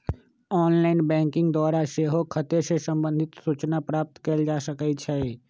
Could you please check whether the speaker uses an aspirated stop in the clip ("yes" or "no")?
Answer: yes